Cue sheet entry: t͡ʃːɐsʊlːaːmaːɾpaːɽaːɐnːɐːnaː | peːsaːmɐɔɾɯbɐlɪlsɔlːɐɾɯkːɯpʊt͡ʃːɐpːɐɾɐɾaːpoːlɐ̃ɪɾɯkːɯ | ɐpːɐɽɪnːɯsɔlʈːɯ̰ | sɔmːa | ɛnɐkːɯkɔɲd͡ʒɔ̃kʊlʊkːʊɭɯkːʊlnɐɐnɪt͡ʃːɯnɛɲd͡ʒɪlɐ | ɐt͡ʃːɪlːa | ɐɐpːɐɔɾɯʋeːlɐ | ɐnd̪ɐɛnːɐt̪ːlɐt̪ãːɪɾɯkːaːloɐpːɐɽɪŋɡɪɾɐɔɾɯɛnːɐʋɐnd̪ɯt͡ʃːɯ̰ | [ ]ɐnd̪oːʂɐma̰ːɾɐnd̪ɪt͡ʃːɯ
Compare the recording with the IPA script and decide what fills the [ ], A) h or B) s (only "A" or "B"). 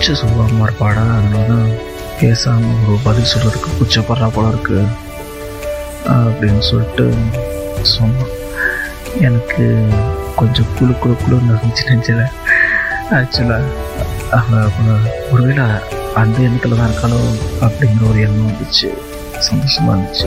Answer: B